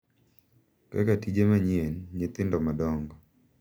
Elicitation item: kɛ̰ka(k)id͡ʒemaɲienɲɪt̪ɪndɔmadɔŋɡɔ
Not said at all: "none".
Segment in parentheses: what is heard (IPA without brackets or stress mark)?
t